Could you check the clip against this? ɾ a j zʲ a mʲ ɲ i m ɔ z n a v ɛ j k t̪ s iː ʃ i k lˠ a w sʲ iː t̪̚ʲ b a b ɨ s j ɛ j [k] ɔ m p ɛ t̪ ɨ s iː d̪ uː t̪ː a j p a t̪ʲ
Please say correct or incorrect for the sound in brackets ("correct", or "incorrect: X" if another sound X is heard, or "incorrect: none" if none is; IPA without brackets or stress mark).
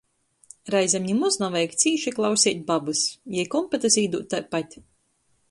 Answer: correct